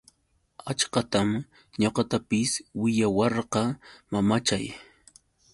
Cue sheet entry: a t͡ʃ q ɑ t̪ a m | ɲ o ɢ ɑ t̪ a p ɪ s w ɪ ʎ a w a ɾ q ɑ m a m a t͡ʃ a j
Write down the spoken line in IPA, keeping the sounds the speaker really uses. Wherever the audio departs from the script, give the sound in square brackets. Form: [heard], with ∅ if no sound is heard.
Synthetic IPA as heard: a t͡ʃ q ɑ t̪ a m | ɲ o [q] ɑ t̪ a p ɪ s w ɪ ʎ a w [ɑ] ɾ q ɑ m a m a t͡ʃ a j